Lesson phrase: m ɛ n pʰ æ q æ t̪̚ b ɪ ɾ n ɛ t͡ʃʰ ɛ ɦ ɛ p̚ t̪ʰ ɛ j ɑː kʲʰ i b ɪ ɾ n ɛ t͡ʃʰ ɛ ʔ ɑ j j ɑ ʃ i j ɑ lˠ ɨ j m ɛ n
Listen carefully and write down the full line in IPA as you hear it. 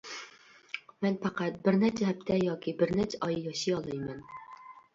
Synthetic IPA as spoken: m ɛ n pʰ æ q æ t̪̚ b ɪ ɾ n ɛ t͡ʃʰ ɛ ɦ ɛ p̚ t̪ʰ ɛ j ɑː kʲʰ i b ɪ ɾ n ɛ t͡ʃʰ ɛ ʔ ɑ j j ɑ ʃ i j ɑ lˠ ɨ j m ɛ n